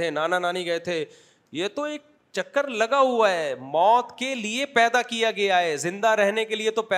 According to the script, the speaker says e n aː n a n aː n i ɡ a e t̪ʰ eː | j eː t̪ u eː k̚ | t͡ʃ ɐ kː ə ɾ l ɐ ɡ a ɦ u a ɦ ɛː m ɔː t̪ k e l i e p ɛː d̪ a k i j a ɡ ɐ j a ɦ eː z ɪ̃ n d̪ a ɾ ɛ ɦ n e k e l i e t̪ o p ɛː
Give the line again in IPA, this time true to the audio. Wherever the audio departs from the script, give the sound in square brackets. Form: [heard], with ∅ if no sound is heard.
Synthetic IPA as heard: e n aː n a n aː n i ɡ [ɐ] e t̪ʰ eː | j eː t̪ [o] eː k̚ | t͡ʃ ɐ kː ə ɾ l ɐ ɡ a ɦ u a ɦ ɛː m ɔː t̪ k e l i e p ɛː d̪ a k i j a ɡ ɐ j a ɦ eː z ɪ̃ n d̪ a ɾ ɛ ɦ n e k e l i e t̪ o p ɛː